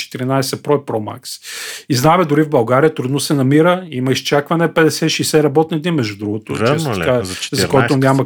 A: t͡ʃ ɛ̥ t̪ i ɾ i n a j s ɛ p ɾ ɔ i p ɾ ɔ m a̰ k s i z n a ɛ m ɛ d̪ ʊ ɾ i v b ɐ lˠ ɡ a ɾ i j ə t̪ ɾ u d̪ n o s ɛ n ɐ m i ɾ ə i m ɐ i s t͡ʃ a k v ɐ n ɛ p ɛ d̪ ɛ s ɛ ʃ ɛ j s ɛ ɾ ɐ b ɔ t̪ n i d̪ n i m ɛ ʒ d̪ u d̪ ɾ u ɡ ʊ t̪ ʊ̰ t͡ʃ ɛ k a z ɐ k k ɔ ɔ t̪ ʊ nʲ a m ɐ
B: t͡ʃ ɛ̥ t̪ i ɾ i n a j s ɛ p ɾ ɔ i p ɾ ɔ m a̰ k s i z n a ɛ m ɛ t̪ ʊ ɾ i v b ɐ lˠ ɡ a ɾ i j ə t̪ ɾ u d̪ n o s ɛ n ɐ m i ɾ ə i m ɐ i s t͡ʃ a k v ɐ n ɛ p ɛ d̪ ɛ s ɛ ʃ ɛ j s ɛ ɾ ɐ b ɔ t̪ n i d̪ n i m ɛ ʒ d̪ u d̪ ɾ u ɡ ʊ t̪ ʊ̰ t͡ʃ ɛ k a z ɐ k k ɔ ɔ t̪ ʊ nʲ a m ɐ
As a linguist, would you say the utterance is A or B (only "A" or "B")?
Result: A